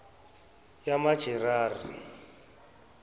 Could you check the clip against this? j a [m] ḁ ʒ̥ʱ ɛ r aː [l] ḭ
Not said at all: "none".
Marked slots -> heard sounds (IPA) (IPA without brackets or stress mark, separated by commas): m, r